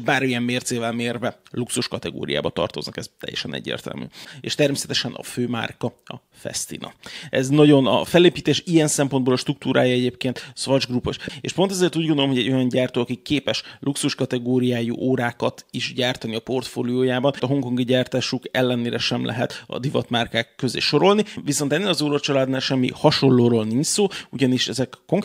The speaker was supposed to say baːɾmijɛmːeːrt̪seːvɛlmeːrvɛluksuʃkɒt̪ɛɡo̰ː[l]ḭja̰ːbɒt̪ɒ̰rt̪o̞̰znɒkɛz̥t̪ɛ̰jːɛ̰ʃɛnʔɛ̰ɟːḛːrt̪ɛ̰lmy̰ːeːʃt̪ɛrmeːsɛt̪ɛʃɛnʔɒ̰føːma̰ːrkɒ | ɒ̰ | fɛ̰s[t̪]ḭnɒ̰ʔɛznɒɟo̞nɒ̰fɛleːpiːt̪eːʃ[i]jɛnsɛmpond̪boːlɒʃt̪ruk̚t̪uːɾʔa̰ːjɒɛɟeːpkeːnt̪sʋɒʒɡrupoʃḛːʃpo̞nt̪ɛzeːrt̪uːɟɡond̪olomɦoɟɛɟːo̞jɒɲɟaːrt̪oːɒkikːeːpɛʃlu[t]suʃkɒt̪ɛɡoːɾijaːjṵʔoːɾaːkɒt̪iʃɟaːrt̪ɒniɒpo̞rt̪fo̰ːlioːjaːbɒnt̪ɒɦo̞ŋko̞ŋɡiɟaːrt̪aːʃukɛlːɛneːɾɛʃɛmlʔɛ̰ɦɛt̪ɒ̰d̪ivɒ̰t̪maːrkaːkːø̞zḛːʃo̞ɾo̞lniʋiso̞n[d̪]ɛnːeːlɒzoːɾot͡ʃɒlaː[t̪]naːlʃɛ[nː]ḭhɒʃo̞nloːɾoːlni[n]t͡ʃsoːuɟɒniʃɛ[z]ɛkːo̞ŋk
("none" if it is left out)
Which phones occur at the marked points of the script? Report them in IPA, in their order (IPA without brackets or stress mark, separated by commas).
ɾ, t̪, i, k, t̪, d̪, mː, ɲ, z